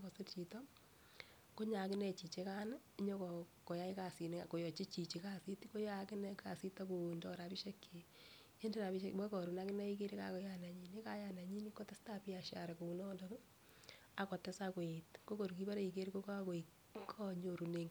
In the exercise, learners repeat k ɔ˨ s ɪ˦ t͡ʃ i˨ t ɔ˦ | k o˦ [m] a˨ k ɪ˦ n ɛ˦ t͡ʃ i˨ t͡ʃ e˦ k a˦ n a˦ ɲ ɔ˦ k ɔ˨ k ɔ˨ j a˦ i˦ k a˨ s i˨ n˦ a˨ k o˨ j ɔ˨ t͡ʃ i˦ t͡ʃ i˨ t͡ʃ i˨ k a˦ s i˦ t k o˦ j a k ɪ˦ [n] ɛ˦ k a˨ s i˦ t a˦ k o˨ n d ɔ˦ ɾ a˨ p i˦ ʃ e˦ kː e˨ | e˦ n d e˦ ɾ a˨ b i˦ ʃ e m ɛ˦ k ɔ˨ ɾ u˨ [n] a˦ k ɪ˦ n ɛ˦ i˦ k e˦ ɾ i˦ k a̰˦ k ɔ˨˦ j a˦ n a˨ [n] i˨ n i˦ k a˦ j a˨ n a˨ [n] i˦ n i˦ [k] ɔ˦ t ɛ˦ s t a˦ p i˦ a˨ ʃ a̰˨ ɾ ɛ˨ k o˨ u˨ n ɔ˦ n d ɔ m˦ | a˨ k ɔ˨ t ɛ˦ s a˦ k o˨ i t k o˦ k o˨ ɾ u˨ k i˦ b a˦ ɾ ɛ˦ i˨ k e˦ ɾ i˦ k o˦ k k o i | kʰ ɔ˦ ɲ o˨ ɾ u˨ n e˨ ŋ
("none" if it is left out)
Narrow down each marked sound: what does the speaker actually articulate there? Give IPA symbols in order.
ɲ, n, n, ɲ, ɲ, k

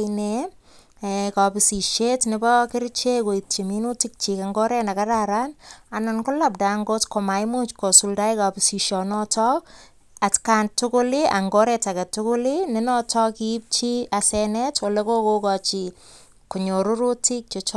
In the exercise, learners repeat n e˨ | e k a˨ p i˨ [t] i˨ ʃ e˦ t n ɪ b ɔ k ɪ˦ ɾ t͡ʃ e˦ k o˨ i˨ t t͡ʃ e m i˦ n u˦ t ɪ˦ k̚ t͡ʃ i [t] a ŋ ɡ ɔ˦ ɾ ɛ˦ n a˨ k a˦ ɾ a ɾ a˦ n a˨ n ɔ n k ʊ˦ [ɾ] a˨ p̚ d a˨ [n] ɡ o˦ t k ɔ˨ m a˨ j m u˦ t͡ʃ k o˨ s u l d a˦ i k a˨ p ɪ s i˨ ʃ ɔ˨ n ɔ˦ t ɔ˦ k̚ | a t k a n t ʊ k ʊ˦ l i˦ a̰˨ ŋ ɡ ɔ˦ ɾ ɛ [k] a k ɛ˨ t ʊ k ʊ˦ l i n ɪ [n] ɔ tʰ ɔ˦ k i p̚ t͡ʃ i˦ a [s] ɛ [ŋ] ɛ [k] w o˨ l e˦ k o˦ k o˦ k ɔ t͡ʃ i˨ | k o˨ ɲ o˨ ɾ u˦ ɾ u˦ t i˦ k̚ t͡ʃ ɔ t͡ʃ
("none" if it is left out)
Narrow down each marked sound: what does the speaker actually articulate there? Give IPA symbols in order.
s, k, l, ŋ, t, n, s, n, t

